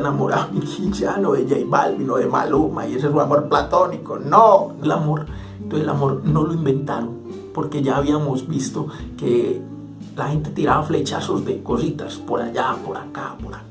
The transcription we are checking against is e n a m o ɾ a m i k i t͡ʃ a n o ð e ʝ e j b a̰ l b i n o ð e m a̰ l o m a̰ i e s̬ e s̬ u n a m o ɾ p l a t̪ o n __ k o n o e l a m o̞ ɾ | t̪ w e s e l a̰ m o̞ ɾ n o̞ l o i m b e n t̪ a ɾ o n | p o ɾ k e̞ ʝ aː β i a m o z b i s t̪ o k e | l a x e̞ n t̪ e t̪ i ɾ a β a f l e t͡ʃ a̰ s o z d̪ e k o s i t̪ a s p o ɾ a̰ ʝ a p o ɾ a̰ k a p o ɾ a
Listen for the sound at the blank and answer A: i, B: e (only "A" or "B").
A